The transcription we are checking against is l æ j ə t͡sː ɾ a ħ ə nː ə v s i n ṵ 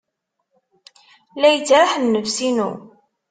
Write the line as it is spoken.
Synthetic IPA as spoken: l æ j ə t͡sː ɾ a ħ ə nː ə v s i n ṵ

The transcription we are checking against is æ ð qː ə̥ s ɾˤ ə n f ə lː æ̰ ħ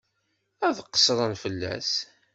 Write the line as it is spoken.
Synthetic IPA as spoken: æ ð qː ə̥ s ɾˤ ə n f ə lː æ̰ s

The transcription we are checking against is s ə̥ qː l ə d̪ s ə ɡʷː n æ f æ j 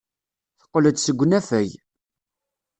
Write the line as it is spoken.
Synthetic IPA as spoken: θ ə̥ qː l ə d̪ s ə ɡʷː n æ f æ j

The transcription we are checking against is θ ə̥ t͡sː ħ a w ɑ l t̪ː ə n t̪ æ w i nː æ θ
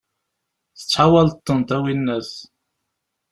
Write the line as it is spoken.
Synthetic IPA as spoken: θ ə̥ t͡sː ħ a w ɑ l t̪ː ə n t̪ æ w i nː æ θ

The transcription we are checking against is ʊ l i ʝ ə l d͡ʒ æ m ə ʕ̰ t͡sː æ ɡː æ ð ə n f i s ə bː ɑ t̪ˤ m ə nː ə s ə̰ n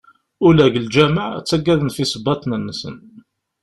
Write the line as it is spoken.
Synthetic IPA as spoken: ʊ l æ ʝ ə l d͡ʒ æ m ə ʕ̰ t͡sː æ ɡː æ ð ə n f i s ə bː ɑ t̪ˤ n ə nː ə s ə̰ n

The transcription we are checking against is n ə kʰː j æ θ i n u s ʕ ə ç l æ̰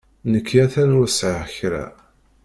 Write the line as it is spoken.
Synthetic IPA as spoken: n ə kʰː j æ θ æ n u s ʕ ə ç ɾ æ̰

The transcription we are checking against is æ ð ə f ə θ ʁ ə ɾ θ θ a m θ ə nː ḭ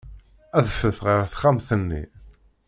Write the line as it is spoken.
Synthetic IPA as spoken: æ ð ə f ə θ ʁ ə ɾ θ χ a m θ ə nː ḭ

